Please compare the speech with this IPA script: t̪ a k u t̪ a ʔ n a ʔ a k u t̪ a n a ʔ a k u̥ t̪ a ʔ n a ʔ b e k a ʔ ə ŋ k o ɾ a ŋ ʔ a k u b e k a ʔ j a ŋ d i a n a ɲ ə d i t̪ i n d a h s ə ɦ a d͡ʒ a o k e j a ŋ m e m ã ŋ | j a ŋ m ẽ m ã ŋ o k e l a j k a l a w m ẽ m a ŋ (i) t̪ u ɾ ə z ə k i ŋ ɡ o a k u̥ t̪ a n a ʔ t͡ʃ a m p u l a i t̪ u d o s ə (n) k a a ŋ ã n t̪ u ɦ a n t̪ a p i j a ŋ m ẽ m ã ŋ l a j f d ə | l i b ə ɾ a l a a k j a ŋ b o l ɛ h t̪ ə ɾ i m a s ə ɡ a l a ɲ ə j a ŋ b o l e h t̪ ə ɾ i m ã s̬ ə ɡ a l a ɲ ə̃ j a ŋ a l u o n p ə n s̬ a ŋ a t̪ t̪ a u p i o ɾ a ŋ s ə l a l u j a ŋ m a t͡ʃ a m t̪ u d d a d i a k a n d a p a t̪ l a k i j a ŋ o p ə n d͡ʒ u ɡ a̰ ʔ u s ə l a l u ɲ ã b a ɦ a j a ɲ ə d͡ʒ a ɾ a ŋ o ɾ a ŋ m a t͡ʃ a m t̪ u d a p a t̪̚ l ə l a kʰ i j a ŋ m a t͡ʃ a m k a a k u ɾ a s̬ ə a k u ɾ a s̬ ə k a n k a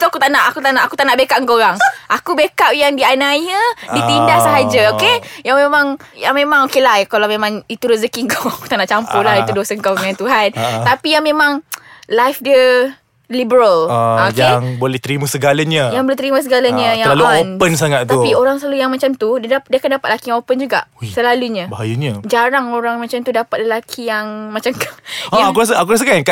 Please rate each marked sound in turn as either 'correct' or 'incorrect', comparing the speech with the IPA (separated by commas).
correct, incorrect